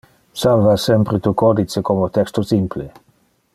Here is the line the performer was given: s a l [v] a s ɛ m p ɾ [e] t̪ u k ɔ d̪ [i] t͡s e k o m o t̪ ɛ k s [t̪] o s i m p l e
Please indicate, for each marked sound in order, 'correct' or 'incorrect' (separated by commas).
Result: correct, correct, correct, correct